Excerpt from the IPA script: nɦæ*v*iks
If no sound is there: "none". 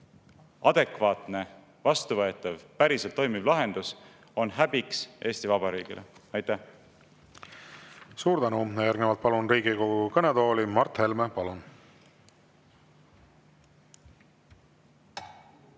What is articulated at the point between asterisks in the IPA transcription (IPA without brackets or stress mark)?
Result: b